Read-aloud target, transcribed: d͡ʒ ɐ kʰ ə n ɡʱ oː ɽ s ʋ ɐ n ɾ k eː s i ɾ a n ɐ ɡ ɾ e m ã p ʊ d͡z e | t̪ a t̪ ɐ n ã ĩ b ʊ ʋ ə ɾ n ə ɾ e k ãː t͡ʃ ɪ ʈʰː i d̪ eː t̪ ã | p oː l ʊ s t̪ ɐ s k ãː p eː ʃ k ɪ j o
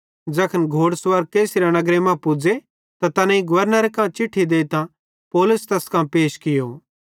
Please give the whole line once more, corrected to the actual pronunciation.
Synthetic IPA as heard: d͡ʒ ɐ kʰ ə n ɡʱ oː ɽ s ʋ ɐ ɾ k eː s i ɾ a n ɐ ɡ ɾ e m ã p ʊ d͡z e | t̪ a t̪ ɐ n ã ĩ ɡ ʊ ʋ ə ɾ n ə ɾ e k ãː t͡ʃ ɪ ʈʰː i d̪ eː t̪ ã | p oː l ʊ s t̪ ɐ s k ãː p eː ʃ k ɪ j o